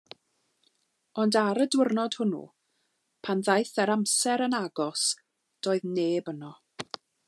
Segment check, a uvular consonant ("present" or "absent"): absent